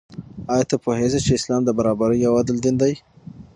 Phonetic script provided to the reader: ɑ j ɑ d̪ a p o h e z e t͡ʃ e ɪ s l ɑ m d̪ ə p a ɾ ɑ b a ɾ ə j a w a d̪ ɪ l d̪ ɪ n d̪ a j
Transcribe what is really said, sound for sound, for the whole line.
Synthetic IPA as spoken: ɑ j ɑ t̪ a p o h e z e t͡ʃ e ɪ s l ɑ m d̪ ə b a ɾ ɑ b a ɾ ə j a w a d̪ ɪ l d̪ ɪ n d̪ a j